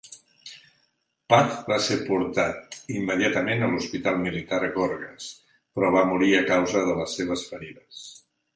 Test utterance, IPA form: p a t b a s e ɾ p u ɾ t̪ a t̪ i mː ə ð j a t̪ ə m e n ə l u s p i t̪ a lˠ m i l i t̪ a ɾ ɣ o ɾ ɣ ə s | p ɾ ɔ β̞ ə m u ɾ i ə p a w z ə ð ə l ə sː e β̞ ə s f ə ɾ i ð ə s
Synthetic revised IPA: p a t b a s e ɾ p u ɾ t̪ a t̪ i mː ə ð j a t̪ ə m e n ə l u s p i t̪ a lˠ m i l i t̪ a ɾ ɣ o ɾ ɣ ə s | p ɾ ɔ β̞ a m u ɾ i ə k a w z ə ð ə l ə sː e β̞ ə s f ə ɾ i ð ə s